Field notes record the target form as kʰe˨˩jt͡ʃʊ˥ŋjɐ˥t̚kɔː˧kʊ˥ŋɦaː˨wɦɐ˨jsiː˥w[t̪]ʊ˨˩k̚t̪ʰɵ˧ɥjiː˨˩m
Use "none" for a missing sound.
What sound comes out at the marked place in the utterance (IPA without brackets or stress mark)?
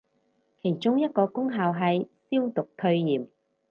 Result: t̪